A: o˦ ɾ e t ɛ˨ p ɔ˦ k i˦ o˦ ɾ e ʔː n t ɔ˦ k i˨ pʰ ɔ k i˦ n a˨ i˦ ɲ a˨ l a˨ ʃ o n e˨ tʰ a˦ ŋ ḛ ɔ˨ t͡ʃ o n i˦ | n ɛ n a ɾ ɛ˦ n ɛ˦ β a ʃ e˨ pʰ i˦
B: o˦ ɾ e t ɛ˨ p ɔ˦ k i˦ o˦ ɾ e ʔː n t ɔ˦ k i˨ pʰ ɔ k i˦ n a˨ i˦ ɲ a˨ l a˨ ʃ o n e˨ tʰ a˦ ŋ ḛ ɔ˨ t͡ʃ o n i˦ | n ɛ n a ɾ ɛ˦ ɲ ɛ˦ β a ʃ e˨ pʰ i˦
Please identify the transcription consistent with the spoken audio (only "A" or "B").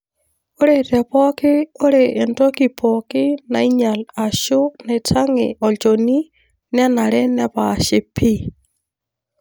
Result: A